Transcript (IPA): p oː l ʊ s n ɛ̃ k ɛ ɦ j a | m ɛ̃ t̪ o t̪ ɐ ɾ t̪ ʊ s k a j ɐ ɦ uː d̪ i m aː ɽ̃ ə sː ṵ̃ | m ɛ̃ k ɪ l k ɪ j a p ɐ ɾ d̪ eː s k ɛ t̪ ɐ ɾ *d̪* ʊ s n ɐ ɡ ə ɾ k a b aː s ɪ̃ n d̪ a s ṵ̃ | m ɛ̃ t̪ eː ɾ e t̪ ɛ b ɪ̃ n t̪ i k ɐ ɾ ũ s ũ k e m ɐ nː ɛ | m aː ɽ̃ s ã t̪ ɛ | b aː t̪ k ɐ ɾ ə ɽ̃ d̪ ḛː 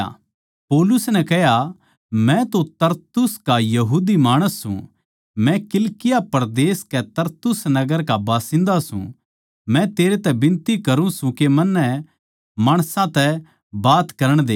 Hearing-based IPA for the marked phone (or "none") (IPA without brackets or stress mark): t̪